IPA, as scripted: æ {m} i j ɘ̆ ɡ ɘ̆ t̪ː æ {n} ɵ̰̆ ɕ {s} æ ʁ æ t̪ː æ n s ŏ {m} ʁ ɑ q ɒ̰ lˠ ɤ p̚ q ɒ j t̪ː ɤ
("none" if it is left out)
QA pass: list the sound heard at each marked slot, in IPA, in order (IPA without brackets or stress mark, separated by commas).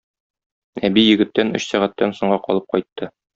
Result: b, n, s, ɴ